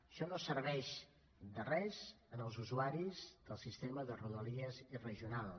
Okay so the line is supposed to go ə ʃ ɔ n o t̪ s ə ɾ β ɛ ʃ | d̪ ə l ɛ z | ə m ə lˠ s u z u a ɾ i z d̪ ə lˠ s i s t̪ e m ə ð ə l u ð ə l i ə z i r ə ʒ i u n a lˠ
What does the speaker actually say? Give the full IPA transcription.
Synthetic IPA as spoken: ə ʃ ɔ n o s ə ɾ β ɛ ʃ | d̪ ə r ɛ z | ə n ə lˠ z u z u a ɾ i z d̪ ə lˠ s i s t̪ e m ə ð ə r u ð ə l i ə z i r ə ʒ i u n a lˠ